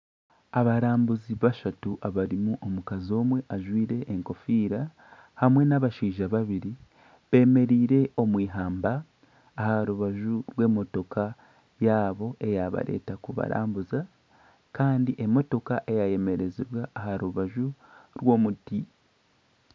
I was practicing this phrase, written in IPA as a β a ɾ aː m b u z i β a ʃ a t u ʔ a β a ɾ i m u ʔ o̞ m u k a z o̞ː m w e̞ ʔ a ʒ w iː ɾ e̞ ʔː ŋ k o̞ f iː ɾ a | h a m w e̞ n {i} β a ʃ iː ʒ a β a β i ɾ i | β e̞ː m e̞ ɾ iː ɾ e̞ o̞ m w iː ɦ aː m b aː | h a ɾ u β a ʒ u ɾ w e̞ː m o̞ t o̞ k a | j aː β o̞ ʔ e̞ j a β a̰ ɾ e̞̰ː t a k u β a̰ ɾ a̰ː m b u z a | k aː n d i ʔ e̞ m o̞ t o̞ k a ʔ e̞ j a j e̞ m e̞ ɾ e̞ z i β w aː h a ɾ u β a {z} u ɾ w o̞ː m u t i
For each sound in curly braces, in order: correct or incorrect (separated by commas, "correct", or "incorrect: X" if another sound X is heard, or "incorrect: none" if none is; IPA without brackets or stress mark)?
incorrect: a, incorrect: ʒ